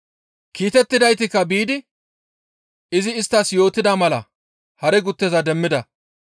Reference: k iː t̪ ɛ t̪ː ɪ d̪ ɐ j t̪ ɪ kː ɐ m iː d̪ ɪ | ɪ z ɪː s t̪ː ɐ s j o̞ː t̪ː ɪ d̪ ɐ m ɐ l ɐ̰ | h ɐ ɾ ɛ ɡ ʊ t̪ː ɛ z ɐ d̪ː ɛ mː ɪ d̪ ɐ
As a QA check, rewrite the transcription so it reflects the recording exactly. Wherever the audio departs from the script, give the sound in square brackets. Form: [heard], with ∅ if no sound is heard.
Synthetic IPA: k iː t̪ ɛ t̪ː ɪ d̪ ɐ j t̪ ɪ kː ɐ [b] iː d̪ ɪ | ɪ z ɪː s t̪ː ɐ s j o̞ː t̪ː ɪ d̪ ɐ m ɐ l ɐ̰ | h ɐ ɾ ɛ ɡ ʊ t̪ː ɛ z ɐ [d̪] ɛ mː ɪ d̪ ɐ